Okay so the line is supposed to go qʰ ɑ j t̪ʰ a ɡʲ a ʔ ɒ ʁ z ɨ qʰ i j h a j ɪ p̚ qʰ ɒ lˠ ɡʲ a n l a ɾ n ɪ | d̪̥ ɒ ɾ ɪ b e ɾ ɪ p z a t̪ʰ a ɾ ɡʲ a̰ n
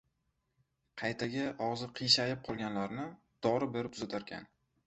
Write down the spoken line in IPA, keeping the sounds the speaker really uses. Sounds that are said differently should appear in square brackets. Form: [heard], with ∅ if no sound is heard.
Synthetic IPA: qʰ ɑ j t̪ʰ a ɡʲ a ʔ ɒ ʁ z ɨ qʰ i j [ʃ] a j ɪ p̚ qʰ ɒ lˠ ɡʲ a n l a ɾ n ɪ | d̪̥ ɒ ɾ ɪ b e ɾ ɪ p z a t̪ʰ a ɾ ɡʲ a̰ n